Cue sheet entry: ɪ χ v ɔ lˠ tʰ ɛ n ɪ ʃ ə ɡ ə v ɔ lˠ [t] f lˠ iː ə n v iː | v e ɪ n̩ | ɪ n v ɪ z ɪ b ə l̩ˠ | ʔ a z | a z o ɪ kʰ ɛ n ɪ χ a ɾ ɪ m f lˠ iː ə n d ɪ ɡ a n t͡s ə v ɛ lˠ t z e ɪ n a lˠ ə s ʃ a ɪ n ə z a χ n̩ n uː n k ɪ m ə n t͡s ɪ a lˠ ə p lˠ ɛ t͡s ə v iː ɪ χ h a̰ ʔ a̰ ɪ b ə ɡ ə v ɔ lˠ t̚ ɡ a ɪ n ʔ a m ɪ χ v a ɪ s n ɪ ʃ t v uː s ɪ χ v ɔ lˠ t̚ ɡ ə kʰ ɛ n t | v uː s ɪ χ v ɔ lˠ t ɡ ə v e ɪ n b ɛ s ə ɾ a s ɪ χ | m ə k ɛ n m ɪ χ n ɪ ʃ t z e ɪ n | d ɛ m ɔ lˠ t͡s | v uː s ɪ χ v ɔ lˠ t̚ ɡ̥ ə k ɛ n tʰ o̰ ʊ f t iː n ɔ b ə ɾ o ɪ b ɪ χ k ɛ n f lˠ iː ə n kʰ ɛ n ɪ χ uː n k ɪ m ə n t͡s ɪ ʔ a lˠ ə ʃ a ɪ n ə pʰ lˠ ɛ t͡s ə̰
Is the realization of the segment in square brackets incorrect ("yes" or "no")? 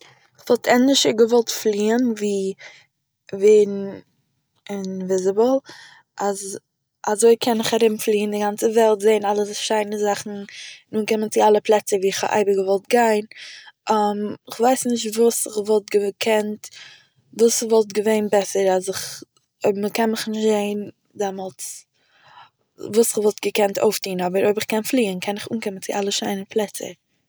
no